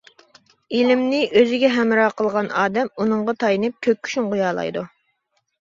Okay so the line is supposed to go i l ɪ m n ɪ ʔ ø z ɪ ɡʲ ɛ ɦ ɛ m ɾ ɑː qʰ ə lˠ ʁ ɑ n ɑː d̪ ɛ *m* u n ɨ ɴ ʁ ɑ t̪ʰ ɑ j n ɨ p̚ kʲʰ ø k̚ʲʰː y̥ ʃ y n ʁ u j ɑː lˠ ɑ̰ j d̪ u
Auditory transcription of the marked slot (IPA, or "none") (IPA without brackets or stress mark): m